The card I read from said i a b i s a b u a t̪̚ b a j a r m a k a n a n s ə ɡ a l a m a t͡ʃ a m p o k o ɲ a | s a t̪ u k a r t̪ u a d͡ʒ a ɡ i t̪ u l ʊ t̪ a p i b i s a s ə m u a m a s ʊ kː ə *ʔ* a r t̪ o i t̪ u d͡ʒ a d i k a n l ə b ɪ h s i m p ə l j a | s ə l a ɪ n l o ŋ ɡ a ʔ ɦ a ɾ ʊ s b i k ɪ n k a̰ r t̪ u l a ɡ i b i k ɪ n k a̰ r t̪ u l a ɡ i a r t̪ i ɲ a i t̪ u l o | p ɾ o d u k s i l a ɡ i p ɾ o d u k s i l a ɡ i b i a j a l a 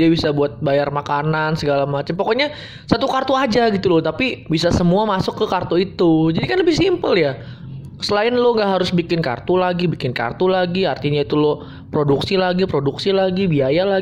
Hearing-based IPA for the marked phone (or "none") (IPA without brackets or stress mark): k